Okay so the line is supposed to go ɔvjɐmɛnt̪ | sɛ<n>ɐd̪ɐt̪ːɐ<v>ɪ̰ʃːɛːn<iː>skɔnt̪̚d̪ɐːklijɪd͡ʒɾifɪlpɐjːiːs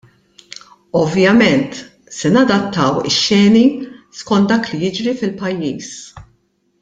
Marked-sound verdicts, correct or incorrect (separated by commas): correct, incorrect, incorrect